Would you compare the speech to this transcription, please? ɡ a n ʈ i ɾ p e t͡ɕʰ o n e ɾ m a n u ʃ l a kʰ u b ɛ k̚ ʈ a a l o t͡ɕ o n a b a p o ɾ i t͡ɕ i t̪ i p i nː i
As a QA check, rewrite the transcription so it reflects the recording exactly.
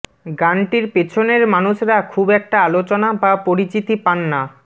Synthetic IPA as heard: ɡ a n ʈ i ɾ p e t͡ɕʰ o n e ɾ m a n u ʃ ɾ a kʰ u b ɛ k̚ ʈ a a l o t͡ɕ o n a b a p o ɾ i t͡ɕ i t̪ i p a nː a